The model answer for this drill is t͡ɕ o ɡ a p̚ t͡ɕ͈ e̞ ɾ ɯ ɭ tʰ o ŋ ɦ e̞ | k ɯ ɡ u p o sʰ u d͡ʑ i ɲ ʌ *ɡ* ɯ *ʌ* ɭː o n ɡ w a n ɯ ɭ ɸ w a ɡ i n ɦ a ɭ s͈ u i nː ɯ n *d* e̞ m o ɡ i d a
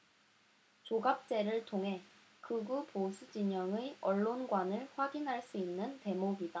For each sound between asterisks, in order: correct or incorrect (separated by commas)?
incorrect, correct, incorrect